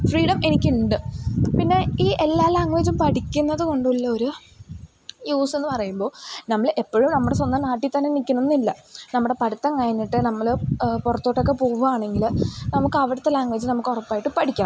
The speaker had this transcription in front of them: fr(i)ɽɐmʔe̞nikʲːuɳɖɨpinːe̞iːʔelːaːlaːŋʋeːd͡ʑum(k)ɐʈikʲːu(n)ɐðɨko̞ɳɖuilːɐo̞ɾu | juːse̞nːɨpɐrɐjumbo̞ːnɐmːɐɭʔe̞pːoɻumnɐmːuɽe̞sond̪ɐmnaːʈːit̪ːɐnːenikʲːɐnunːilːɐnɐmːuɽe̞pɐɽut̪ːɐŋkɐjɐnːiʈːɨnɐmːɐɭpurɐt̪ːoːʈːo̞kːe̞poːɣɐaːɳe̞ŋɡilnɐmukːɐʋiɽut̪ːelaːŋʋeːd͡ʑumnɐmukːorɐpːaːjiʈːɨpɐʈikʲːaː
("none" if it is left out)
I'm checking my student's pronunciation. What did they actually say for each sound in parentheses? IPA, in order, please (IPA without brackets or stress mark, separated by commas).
iː, p, nː